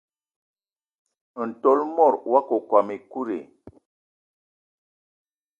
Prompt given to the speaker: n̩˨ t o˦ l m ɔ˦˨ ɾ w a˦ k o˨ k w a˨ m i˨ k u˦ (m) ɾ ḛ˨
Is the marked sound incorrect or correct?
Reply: incorrect